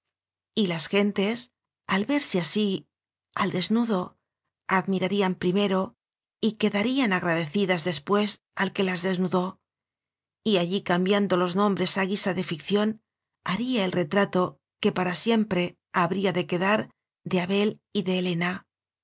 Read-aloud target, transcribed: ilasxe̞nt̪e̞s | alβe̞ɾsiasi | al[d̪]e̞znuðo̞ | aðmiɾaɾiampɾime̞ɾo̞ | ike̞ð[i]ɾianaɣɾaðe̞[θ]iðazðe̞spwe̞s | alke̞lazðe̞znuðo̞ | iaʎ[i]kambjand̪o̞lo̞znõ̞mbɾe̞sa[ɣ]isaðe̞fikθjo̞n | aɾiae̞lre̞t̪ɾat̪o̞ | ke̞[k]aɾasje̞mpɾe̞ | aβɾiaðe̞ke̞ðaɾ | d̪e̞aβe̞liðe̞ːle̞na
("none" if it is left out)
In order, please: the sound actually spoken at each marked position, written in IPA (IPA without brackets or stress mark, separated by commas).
d̪, a, θ, i, ɣ, p